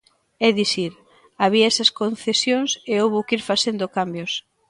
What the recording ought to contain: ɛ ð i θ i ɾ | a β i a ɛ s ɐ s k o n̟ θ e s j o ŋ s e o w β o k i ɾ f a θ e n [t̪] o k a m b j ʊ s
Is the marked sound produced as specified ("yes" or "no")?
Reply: no